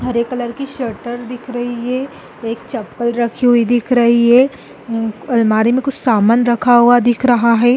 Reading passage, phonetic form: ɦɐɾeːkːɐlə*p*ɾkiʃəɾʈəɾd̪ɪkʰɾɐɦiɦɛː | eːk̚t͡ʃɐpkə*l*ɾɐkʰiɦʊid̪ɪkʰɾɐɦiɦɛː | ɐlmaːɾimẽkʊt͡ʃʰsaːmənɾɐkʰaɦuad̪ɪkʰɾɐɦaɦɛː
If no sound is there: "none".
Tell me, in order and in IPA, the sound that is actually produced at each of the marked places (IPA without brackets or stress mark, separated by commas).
none, l